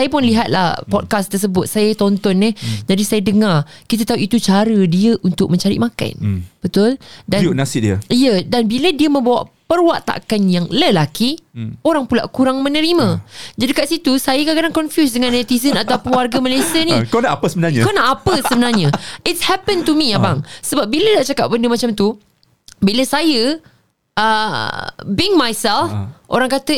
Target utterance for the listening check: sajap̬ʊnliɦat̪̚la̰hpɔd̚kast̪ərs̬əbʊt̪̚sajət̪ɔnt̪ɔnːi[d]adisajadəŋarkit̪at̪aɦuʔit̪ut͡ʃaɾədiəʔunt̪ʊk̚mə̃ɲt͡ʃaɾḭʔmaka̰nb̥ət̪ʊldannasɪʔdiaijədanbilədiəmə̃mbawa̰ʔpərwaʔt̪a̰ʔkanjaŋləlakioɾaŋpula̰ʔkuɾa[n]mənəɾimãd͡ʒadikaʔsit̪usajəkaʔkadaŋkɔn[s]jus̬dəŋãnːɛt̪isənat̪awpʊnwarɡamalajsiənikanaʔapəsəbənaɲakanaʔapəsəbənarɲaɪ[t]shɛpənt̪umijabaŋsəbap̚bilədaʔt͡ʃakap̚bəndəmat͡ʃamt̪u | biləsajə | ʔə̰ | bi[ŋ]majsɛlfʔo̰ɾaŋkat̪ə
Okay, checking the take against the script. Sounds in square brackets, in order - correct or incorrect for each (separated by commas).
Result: incorrect, incorrect, incorrect, correct, correct